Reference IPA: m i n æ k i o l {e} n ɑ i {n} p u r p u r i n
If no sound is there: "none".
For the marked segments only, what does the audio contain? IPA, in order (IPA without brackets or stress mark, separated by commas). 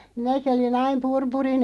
i, m